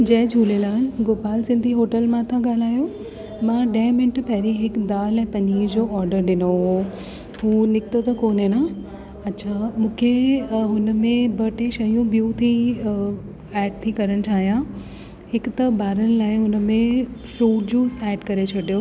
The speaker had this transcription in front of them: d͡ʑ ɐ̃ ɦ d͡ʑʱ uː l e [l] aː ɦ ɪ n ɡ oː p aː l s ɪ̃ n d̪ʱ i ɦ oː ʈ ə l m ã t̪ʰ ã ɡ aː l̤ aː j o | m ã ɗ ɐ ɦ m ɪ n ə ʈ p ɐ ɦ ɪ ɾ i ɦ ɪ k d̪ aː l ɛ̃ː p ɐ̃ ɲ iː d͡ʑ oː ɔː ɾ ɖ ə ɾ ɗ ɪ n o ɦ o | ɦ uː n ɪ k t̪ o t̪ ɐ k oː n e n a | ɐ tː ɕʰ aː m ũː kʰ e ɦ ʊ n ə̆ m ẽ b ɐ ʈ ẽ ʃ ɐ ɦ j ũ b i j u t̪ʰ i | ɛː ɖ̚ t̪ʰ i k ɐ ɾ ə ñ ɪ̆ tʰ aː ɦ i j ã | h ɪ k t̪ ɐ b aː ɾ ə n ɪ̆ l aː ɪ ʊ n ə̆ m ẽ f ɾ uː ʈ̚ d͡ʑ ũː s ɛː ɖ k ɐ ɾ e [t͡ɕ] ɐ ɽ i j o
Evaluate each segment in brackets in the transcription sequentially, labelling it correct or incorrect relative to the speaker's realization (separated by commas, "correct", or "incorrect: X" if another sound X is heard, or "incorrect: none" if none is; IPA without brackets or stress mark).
correct, incorrect: t͡ɕʰ